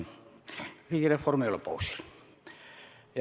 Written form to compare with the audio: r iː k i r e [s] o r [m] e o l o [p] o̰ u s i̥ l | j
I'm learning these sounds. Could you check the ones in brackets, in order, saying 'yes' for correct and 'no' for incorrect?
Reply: no, yes, yes

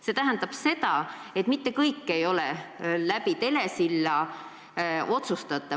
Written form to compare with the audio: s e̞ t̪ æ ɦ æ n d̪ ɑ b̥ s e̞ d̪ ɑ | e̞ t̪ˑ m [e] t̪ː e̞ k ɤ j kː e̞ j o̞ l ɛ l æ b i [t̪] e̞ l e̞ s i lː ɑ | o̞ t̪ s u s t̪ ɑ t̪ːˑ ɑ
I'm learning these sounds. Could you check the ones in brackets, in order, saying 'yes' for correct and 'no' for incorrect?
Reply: no, yes

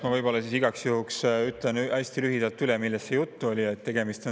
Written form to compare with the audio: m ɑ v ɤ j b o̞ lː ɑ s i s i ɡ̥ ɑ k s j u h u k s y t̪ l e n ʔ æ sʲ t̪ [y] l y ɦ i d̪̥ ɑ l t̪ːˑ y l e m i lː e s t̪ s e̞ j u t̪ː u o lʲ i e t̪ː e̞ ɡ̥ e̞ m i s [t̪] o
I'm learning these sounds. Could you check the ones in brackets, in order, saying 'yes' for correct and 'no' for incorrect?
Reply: no, yes

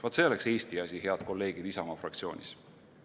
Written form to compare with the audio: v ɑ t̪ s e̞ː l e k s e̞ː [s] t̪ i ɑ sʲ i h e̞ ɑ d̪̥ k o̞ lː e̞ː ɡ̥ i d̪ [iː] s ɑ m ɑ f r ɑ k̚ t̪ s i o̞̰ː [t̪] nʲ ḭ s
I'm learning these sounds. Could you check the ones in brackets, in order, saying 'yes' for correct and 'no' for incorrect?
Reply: yes, no, no

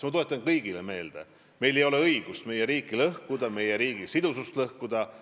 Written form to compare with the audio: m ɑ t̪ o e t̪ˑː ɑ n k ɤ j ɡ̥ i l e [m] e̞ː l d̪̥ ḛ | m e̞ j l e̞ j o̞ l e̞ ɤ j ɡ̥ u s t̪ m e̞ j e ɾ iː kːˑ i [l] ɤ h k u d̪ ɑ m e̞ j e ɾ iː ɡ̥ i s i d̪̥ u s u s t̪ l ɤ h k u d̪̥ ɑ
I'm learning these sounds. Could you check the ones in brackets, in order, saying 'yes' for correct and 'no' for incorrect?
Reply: yes, yes

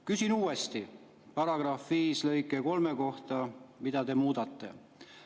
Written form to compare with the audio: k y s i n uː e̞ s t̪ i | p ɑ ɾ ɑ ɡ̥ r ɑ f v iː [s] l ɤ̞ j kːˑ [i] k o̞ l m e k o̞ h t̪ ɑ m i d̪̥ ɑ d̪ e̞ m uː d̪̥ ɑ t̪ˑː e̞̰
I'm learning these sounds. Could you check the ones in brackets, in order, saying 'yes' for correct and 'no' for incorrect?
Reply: yes, no

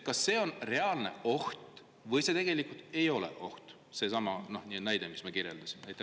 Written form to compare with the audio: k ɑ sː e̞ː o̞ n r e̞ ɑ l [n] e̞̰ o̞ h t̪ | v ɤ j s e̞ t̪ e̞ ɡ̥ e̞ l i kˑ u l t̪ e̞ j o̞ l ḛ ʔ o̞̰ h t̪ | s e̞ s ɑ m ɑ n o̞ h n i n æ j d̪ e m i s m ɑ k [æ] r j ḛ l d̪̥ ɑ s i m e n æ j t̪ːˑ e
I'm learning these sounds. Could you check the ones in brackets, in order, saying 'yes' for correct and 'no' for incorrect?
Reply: yes, no

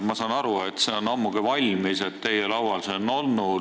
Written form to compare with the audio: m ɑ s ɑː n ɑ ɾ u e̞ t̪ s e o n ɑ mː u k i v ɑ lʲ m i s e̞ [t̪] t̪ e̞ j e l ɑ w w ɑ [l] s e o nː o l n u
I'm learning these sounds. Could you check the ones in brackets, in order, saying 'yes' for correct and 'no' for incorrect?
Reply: yes, yes

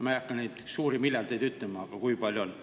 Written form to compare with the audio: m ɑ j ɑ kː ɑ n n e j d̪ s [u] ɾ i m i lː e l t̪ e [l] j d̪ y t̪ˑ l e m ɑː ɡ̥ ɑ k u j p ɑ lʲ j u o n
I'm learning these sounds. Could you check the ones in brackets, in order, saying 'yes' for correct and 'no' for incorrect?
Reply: no, no

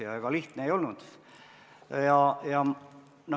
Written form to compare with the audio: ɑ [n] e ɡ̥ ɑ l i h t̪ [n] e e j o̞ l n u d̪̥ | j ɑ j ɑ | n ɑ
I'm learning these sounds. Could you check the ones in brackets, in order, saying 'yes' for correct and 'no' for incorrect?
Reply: no, yes

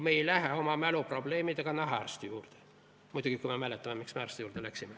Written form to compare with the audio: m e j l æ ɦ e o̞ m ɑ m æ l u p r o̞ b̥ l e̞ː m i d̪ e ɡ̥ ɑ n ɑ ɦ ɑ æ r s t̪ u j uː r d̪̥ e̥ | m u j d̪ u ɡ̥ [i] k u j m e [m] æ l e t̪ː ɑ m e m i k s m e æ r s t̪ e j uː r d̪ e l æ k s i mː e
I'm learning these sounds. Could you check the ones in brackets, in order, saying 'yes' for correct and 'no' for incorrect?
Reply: yes, yes

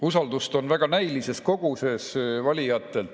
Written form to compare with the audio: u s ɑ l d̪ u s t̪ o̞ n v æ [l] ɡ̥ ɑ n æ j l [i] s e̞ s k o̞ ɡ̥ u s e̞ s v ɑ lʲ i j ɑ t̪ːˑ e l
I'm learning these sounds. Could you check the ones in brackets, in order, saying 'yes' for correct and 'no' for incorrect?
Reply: no, yes

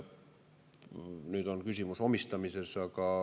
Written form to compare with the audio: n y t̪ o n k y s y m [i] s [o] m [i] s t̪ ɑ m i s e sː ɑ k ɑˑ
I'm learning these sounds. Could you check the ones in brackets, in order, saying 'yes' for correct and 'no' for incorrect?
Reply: no, yes, yes

